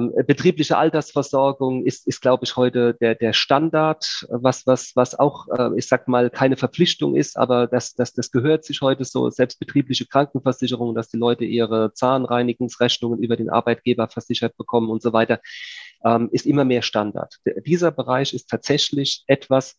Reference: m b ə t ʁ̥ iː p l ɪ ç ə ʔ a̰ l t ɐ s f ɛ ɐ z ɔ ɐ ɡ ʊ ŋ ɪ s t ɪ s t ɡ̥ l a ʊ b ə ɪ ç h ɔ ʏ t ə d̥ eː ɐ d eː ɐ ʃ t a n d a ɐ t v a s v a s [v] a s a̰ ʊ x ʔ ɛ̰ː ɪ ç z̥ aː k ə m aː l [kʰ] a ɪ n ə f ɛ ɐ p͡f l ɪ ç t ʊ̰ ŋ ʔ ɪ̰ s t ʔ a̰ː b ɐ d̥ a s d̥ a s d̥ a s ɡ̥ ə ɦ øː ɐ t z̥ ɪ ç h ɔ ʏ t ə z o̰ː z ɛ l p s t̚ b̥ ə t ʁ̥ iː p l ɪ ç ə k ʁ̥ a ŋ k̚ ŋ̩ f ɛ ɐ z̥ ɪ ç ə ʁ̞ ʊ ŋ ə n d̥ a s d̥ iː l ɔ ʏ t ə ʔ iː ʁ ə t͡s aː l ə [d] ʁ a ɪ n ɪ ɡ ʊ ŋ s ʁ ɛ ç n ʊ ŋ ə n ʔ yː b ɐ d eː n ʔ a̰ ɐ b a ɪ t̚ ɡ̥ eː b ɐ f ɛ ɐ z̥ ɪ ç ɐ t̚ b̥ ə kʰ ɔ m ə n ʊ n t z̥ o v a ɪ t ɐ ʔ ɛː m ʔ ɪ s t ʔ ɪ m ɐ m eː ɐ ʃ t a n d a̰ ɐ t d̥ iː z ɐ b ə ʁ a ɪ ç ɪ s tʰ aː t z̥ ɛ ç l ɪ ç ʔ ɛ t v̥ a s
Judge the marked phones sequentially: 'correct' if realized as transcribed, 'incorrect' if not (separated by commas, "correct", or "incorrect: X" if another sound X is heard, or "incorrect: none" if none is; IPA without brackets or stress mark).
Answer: correct, correct, incorrect: n